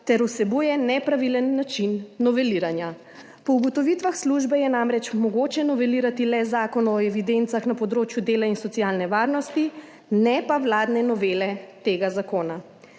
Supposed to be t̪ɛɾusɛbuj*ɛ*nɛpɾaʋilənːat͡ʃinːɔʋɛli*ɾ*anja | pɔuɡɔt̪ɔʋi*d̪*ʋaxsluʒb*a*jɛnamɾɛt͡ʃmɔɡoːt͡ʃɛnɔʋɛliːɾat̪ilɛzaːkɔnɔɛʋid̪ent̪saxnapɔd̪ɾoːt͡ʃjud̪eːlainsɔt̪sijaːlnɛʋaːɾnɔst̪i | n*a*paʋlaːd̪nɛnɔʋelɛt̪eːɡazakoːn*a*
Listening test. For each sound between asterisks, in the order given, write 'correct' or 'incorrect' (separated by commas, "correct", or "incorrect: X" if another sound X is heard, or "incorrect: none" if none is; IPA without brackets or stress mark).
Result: correct, correct, incorrect: t̪, incorrect: ɛ, incorrect: ɛ, correct